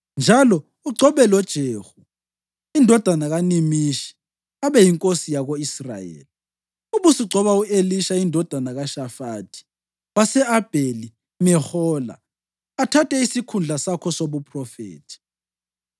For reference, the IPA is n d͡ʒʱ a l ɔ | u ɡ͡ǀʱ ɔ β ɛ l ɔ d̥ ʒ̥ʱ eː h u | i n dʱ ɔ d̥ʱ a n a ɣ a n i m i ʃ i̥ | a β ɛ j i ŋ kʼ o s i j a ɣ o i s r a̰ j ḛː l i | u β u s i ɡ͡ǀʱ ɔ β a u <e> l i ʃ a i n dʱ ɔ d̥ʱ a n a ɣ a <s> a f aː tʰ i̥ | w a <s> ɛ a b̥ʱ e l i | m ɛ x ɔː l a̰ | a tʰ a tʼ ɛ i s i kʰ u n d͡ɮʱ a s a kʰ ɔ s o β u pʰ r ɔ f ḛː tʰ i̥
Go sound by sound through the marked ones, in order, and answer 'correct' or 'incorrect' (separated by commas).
correct, incorrect, correct